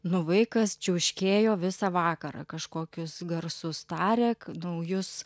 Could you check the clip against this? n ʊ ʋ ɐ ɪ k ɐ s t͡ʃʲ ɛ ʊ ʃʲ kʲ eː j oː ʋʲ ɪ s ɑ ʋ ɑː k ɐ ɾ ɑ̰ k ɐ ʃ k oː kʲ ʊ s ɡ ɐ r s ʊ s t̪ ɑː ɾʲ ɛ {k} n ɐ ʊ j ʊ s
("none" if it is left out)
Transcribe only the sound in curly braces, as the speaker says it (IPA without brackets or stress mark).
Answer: k